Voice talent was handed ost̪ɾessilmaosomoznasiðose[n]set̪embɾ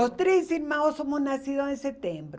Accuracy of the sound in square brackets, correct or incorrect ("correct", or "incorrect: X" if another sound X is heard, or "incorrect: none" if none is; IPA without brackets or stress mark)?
correct